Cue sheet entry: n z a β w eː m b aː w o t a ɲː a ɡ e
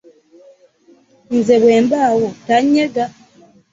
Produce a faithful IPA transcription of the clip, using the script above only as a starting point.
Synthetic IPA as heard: n z e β w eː m b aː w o t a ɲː e ɡ a

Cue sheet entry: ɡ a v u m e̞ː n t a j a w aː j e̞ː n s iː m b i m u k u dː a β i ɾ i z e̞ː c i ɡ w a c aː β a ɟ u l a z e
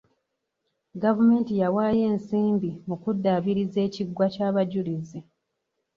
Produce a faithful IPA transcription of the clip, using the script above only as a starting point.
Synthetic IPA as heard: ɡ a v u m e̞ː n t i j a w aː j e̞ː n s iː m b i m u k u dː a β i ɾ i z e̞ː c i ɡ w a c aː β a ɟ u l i z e

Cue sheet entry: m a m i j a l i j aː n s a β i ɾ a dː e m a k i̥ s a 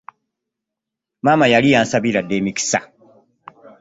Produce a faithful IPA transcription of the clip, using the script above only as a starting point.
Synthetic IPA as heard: m a m a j a l i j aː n s a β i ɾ a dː e m i k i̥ s a

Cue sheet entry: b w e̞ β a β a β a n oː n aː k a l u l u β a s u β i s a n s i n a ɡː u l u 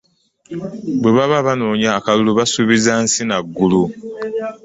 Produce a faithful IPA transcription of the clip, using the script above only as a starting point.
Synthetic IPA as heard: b w e̞ β a β a β a n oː ɲ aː k a l u l u β a s u β i z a n s i n a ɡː u l u

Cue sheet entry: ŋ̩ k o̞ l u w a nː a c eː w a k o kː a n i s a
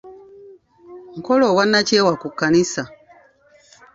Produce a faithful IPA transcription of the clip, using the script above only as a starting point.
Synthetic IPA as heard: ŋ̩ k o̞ l o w a nː a c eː w a k u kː a n i s a

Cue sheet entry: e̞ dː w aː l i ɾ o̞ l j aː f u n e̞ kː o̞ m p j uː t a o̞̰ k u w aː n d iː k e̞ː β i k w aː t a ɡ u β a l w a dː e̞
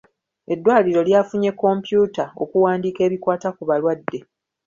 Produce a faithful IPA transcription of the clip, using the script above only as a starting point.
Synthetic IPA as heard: e̞ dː w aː l i ɾ o̞ l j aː f u ɲ e̞ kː o̞ m p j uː t a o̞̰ k u w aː n d iː k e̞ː β i k w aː t a k u β a l w a dː e̞

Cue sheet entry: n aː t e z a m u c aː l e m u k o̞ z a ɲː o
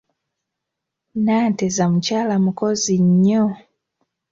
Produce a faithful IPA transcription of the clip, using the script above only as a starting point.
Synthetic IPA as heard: n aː t e z a m u c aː l a m u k o̞ z i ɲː o

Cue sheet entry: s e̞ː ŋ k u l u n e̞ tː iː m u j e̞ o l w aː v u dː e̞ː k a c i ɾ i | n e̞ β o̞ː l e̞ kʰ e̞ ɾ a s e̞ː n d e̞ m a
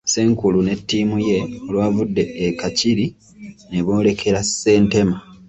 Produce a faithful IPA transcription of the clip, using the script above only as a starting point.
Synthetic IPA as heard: s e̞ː ŋ k u l u n e̞ tː iː m u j e̞ o l w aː v u dː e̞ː k a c i ɾ i | n e̞ β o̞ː l e̞ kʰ e̞ ɾ a s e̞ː n t e̞ m a

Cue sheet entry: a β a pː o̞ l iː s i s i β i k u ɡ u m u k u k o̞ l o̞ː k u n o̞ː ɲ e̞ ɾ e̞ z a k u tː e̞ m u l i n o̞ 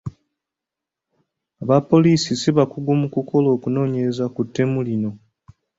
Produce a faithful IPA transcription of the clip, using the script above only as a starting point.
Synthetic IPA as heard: a β a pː o̞ l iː s i s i β a k u ɡ u m u k u k o̞ l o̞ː k u n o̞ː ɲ e̞ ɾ e̞ z a k u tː e̞ m u l i n o̞

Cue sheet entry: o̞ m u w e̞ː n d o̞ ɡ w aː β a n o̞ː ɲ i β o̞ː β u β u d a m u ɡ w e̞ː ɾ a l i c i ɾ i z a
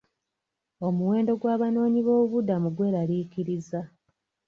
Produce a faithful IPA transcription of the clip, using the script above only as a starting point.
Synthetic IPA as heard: o̞ m u w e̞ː n d o̞ ɡ w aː β a n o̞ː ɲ i β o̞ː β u β u d a m u ɡ w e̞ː ɾ a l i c i ɾ i z a

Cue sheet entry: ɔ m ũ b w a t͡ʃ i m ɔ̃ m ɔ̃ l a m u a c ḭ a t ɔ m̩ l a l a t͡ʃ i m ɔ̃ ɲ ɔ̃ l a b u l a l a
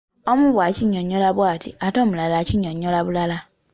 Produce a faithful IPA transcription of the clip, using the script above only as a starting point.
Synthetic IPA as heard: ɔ m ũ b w a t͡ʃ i ɲ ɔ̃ ɲ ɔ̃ l a b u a t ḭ a t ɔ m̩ l a l a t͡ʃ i ɲ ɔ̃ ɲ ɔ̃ l a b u l a l a

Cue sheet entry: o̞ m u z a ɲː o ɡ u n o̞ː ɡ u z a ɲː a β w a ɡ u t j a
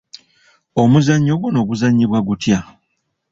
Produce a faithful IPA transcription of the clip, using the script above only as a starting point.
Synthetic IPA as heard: o̞ m u z a ɲː o ɡ u n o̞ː ɡ u z a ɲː i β w a ɡ u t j a

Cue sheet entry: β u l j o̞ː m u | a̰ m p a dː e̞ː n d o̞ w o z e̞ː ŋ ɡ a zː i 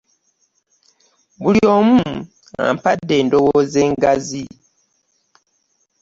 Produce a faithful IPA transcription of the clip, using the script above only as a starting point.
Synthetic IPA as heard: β u l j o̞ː m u | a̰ m p a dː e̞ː n d o̞ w o z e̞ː ŋ ɡ a z i

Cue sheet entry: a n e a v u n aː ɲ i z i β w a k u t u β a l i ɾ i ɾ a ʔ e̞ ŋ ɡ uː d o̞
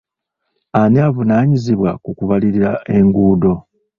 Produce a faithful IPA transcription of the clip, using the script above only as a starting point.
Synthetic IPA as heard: a n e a v u n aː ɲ i z i β w a k u k u β a l i ɾ i ɾ a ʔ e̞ ŋ ɡ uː d o̞

